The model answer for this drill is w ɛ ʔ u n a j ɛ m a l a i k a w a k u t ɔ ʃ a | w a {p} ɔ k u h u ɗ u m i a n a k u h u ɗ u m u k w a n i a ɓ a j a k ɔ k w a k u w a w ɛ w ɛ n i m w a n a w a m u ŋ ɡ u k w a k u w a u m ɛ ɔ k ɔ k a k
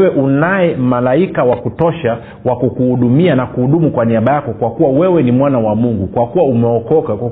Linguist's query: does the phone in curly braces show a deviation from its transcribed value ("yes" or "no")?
yes